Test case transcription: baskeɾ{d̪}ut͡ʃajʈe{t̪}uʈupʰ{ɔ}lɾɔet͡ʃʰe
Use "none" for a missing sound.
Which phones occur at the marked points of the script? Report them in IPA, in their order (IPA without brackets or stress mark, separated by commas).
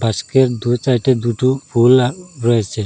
d̪, d̪, u